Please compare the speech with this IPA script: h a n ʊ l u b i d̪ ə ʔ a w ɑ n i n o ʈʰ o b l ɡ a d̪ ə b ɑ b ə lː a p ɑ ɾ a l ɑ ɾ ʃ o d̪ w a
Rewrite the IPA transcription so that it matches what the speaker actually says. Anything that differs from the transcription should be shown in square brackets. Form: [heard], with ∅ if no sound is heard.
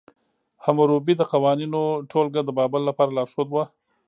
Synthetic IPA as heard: h a [m] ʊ [ɾ] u b i d̪ ə [q] a w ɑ n i n o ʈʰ o [∅] l ɡ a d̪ ə b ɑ b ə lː a p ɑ ɾ a l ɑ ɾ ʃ o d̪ w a